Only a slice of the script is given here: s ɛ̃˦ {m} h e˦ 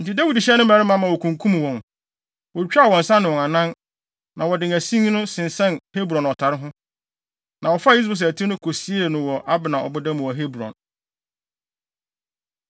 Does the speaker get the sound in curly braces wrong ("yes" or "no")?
yes